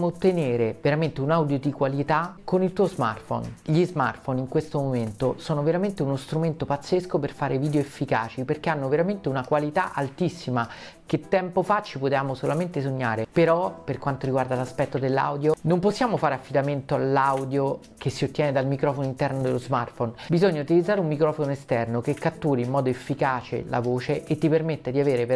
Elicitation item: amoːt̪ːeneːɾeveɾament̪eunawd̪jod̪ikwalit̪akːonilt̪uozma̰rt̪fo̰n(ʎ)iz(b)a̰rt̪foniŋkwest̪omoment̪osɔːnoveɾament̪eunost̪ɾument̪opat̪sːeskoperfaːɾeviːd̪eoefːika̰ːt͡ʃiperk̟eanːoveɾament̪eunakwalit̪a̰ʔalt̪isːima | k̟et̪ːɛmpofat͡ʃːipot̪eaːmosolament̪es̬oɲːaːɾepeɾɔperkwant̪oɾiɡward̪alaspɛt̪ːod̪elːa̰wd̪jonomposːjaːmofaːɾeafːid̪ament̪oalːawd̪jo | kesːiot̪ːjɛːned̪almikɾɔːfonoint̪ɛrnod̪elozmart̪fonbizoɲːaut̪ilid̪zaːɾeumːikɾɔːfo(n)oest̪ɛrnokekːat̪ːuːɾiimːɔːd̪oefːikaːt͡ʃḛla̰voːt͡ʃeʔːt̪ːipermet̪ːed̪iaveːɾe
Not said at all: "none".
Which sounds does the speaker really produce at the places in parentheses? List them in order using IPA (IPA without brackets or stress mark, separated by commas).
ʎ, m, n